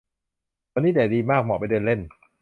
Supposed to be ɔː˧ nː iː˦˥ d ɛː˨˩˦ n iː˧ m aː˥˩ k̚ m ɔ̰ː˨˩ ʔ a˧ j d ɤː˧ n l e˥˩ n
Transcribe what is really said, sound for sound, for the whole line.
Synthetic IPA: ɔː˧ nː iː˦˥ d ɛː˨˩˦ d iː˧ m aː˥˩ k̚ m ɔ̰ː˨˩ p a˧ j d ɤː˧ n l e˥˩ n

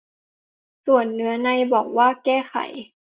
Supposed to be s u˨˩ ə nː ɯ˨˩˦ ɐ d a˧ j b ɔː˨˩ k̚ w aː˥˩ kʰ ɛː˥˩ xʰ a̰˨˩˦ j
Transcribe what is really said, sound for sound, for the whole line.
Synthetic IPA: s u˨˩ ə nː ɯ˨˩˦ ɐ n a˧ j b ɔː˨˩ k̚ w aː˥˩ k ɛː˥˩ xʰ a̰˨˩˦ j

